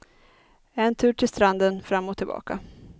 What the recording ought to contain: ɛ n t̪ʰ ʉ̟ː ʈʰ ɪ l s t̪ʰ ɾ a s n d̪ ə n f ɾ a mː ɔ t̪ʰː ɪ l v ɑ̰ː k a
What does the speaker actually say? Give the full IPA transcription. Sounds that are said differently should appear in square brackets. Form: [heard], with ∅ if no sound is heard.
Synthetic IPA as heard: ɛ n t̪ʰ ʉ̟ː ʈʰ ɪ l s [t̪] ɾ a [∅] n d̪ ə n f ɾ a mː ɔ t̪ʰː ɪ l [b] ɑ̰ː k a